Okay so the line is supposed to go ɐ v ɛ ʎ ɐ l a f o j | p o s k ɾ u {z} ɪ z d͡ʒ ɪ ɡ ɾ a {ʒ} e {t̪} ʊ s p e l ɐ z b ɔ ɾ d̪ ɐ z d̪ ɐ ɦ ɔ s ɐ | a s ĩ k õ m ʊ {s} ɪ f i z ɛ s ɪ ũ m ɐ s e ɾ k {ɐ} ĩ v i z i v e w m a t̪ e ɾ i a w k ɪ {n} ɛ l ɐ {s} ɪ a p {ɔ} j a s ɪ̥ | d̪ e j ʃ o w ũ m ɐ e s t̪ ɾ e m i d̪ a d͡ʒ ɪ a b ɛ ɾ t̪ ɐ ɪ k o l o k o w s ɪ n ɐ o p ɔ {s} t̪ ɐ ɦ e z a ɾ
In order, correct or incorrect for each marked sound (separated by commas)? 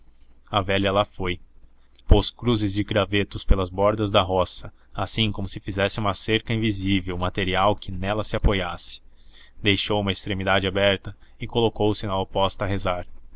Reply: correct, incorrect, correct, correct, correct, correct, correct, incorrect, correct